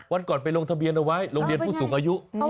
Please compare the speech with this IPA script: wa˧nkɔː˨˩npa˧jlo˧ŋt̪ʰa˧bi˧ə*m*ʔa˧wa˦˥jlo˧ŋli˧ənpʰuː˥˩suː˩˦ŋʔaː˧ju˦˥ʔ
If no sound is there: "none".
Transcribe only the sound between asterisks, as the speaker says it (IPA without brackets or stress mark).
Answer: n